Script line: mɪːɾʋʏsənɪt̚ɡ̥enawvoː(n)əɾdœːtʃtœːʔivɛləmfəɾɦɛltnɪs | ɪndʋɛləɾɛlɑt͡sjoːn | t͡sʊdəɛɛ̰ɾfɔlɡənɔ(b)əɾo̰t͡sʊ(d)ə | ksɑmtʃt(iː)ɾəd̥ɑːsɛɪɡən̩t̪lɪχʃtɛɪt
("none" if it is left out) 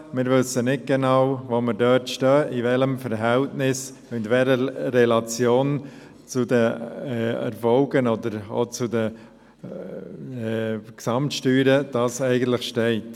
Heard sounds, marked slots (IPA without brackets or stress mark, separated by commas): m, d, d, yː